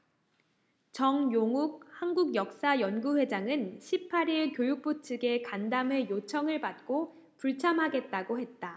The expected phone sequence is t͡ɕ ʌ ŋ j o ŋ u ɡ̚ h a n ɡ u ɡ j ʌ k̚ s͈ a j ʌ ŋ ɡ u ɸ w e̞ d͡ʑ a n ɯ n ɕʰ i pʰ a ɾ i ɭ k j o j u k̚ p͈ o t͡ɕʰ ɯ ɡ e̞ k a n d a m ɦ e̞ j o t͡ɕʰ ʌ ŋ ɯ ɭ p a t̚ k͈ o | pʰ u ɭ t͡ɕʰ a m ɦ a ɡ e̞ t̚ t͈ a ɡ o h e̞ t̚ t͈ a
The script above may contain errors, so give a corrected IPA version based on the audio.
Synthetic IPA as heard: t͡ɕ ʌ ŋ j o ŋ u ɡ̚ h a n ɡ u ɡ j ʌ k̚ s͈ a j ʌ n ɡ u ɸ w e̞ d͡ʑ a ŋ ɯ n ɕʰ i pʰ a ɾ i ɭ k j o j u k̚ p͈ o t͡ɕʰ ɯ ɡ e̞ k a n d a m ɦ e̞ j o t͡ɕʰ ʌ ŋ ɯ ɭ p a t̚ k͈ o | p u ɭ t͡ɕʰ a m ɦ a ɡ e̞ t̚ t͈ a ɡ o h e̞ t̚ t͈ a